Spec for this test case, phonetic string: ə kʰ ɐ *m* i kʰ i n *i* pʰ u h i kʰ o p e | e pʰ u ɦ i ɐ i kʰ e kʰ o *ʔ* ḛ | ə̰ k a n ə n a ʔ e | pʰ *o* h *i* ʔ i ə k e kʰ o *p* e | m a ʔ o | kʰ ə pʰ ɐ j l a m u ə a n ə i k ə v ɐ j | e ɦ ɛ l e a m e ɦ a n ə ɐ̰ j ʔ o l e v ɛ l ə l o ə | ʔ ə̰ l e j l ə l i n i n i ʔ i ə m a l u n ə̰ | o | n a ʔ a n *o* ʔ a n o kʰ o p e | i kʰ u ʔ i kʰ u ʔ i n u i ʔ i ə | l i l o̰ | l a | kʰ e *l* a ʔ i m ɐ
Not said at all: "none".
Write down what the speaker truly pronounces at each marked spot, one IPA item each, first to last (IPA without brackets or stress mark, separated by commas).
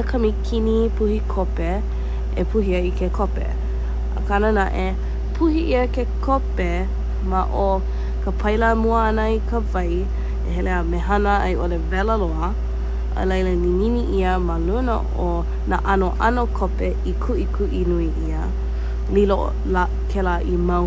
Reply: m, i, p, u, i, p, o, l